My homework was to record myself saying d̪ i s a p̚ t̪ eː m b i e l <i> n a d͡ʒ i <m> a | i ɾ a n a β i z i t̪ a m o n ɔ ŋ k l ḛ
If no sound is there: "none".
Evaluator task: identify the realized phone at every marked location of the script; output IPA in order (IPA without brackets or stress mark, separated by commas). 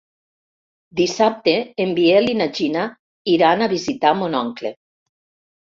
i, n